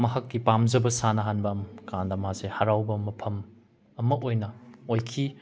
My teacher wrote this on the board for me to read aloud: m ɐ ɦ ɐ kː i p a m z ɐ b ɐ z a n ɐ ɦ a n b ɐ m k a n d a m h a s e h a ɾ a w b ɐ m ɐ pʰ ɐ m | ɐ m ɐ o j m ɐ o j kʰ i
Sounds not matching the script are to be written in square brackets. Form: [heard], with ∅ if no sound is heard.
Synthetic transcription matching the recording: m ɐ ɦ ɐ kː i p a m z ɐ b ɐ [s] a n ɐ ɦ a n b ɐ m k a n d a m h a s e h a ɾ a w b ɐ m ɐ pʰ ɐ m | ɐ m ɐ o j [n] ɐ o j kʰ i